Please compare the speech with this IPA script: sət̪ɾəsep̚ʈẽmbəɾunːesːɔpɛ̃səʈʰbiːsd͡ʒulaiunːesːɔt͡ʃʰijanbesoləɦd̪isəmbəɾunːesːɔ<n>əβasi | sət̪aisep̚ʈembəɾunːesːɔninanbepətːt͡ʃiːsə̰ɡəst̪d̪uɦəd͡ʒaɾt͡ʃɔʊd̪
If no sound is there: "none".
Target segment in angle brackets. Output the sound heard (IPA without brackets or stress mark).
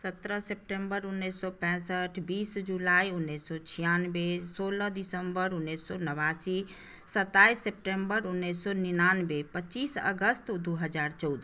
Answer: n